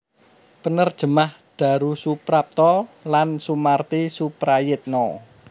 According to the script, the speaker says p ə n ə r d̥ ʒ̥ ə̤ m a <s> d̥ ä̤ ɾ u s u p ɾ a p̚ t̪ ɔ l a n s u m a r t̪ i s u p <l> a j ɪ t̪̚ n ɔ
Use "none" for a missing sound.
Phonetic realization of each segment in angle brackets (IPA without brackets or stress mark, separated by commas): h, ɾ